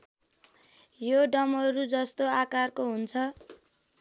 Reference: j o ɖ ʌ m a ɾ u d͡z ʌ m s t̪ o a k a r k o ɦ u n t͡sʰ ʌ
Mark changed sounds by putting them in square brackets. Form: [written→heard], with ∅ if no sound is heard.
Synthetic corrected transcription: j o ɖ ʌ m [a→ʌ] ɾ u d͡z ʌ [m→∅] s t̪ o a k a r k o ɦ u n t͡sʰ ʌ